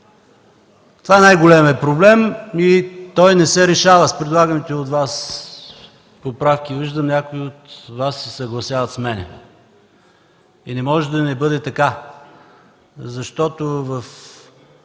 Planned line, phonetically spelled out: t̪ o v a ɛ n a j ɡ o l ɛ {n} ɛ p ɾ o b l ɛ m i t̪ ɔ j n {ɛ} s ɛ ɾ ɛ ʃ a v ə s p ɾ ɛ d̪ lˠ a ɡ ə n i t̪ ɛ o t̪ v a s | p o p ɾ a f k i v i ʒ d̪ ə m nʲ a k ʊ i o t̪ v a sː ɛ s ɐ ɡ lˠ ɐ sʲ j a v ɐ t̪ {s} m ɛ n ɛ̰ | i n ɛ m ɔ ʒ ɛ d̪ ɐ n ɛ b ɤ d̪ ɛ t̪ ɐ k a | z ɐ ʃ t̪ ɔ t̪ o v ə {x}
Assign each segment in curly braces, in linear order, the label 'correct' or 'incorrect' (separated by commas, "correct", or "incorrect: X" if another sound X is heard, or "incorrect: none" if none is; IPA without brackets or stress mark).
incorrect: m, correct, correct, incorrect: f